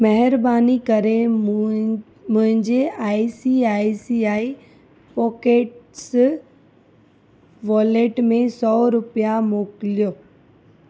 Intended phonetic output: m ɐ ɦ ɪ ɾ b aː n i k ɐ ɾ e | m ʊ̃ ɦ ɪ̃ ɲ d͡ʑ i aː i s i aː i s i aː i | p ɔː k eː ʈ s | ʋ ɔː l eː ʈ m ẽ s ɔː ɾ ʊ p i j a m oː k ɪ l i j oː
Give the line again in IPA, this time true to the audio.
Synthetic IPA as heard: m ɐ ɦ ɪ ɾ b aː n i k ɐ ɾ e | m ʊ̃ ɦ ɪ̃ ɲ d͡ʑ e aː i s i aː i s i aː i | p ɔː k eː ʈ s | ʋ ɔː l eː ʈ m ẽ s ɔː ɾ ʊ p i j a m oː k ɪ l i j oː